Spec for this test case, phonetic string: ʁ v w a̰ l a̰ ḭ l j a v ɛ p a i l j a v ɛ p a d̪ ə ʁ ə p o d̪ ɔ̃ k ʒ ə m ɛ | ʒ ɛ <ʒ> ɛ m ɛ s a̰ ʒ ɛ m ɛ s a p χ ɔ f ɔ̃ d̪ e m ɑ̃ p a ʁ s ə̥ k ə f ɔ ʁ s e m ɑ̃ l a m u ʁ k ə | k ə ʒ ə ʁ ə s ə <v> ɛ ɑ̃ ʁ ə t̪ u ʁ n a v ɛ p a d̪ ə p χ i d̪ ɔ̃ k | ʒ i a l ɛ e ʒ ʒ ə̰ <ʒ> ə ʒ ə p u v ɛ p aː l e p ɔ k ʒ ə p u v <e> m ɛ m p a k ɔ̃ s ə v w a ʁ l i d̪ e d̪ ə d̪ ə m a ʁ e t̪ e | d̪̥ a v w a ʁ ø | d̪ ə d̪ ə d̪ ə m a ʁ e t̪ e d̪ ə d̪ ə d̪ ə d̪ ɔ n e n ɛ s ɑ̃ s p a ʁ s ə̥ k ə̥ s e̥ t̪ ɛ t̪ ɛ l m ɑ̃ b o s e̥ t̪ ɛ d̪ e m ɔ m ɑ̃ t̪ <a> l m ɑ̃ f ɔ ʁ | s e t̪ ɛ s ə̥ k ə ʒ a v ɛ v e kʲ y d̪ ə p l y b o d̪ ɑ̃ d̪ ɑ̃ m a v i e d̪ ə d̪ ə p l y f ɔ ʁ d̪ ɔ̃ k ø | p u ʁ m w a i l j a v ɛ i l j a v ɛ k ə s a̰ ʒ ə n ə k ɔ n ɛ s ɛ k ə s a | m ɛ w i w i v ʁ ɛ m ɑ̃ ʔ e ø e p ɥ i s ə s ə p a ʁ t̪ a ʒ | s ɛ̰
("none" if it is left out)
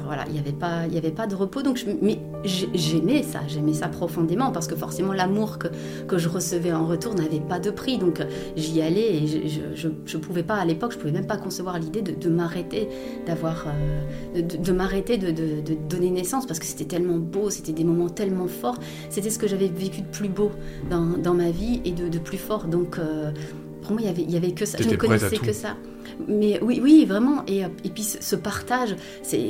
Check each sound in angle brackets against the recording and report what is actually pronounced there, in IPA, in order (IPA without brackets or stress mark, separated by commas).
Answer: ʒ, v, ʒ, ɛ, ɛ